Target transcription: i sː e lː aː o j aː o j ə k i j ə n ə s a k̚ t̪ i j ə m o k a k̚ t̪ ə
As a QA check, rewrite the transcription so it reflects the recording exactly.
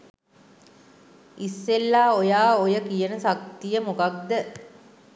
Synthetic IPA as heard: i sː e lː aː o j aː o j ə k i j ə n ə s a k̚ t̪ i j ə m o k a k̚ d̪ ə